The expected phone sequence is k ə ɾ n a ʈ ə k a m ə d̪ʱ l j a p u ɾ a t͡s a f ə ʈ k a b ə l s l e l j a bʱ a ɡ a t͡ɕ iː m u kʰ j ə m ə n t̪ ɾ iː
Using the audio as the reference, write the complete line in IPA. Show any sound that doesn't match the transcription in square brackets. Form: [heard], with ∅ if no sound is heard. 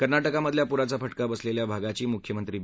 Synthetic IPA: k ə ɾ n a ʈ ə k a m ə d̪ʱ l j a p u ɾ a t͡s a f ə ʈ k a b ə [∅] s l e l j a bʱ a ɡ a t͡ɕ iː m u kʰ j ə m ə n t̪ ɾ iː